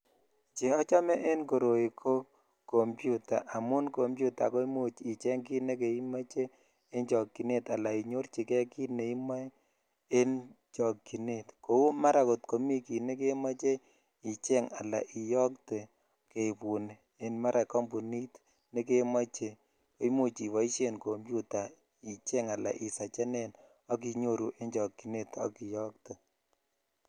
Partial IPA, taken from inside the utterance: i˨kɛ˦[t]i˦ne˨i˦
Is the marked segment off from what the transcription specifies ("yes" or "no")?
yes